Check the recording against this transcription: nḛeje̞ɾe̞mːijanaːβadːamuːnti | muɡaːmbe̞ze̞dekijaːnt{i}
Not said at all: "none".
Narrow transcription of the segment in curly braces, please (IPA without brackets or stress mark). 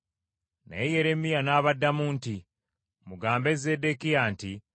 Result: i